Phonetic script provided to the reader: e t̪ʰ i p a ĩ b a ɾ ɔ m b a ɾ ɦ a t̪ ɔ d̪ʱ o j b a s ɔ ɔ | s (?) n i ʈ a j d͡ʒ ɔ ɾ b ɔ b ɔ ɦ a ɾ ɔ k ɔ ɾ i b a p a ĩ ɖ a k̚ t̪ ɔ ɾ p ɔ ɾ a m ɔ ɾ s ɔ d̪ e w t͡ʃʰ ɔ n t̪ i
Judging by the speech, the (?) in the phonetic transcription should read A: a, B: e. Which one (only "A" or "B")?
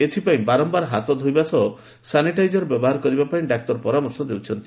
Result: A